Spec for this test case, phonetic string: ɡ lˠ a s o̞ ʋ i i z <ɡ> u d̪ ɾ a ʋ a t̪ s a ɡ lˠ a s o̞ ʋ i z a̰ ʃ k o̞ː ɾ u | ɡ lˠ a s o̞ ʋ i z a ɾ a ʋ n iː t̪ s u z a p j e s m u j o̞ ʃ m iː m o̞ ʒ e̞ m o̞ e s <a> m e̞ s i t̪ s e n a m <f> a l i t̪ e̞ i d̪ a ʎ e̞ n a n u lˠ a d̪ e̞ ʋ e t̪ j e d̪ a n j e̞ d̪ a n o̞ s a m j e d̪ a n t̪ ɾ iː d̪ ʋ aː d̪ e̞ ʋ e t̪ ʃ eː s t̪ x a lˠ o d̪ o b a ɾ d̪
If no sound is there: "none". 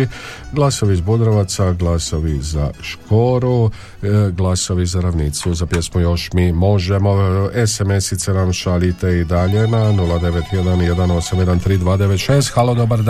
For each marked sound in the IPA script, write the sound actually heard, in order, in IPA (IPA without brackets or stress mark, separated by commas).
b, e, ʃ